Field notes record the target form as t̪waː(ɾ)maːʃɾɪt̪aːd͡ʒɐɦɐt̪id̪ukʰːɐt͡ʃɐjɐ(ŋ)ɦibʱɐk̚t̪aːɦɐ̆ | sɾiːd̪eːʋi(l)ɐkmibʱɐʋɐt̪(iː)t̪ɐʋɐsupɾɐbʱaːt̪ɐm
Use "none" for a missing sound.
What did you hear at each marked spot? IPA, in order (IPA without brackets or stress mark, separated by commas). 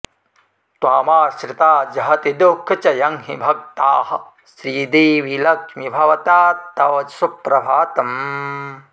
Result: none, ŋ, l, aː